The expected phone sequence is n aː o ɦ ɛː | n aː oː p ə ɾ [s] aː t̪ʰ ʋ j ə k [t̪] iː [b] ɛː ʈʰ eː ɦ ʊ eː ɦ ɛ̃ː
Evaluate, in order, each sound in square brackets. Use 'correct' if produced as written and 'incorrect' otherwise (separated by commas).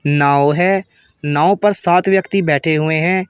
correct, correct, correct